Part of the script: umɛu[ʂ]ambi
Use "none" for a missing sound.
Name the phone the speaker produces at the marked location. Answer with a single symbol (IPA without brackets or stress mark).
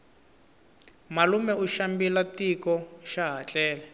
ʃ